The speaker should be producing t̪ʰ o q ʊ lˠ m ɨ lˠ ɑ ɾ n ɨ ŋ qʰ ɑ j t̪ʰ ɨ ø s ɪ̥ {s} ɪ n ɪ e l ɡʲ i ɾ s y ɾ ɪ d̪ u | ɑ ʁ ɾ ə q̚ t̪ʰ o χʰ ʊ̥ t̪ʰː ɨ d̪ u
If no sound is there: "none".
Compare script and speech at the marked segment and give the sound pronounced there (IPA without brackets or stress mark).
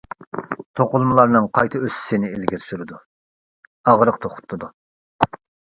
s